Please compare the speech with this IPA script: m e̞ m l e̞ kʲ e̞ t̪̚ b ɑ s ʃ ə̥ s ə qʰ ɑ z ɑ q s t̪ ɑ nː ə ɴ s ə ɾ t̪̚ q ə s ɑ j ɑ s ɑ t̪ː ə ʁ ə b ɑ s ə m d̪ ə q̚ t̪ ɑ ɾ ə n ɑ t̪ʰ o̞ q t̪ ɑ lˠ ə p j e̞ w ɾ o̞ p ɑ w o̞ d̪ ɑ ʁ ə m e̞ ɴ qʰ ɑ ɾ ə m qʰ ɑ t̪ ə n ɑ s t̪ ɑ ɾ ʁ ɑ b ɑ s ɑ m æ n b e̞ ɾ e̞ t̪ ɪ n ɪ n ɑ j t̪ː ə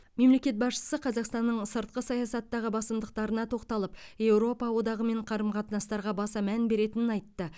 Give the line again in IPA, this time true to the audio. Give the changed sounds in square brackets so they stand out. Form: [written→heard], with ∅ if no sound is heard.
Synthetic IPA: m e̞ m l e̞ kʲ e̞ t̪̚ b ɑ s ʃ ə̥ s ə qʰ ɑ z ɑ q s t̪ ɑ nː ə ɴ s ə ɾ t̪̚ q ə s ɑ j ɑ s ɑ t̪ː [ə→ɑ] ʁ ə b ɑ s ə m d̪ ə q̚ t̪ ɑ ɾ ə n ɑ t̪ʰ o̞ q t̪ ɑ lˠ ə p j e̞ w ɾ o̞ p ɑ w o̞ d̪ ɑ ʁ ə m e̞ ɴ qʰ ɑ ɾ ə m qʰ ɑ t̪ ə n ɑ s t̪ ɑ ɾ ʁ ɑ b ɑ s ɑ m æ n b e̞ ɾ e̞ t̪ ɪ n ɪ n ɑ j t̪ː ə